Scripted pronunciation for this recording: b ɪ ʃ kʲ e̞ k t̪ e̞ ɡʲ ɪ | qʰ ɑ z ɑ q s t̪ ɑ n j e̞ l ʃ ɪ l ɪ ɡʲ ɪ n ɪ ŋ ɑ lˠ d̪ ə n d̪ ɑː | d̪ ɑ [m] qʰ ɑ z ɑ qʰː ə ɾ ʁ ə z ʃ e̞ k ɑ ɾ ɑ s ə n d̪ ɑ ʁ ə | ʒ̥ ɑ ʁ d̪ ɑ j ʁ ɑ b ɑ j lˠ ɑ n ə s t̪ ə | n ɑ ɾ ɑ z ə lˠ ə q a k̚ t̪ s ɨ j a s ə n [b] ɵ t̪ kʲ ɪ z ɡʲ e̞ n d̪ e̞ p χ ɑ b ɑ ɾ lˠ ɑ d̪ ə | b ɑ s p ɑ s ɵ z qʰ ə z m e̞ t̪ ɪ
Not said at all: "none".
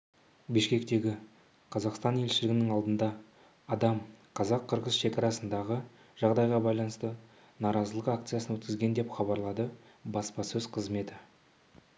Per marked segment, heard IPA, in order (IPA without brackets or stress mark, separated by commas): m, w